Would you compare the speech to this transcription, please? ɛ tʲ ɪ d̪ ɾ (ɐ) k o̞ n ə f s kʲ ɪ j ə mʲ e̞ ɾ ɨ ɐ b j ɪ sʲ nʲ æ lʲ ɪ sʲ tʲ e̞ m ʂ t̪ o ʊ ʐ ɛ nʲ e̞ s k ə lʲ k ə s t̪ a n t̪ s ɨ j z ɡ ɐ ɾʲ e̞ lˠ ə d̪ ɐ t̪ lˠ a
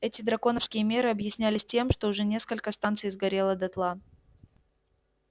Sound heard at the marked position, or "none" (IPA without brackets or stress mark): ɐ